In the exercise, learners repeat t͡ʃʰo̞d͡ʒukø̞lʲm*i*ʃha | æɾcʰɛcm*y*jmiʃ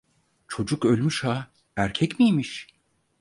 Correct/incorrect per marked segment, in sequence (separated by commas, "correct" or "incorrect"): incorrect, incorrect